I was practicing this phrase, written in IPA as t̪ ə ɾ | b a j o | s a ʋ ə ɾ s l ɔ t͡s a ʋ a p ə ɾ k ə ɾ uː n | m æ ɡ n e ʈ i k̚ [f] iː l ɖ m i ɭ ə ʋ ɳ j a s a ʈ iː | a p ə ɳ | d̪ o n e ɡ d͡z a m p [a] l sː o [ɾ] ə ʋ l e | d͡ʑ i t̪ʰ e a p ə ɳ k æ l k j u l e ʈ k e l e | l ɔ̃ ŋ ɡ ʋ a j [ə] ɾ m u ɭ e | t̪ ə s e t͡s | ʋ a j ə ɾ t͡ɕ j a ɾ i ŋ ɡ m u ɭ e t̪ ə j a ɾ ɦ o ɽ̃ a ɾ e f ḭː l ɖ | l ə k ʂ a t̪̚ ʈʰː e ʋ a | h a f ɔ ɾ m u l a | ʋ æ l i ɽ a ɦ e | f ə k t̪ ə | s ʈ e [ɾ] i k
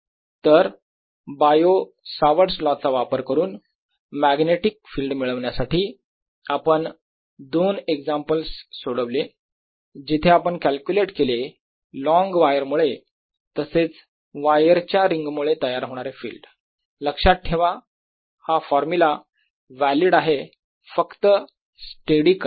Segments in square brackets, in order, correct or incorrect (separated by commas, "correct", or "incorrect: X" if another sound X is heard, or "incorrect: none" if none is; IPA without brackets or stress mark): correct, incorrect: ə, incorrect: ɽ, correct, incorrect: ɽ